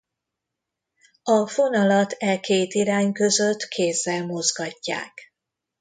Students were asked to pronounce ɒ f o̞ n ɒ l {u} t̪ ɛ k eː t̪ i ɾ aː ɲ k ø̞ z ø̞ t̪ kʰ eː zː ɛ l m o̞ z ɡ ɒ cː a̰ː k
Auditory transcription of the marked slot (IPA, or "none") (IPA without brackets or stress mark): ɒ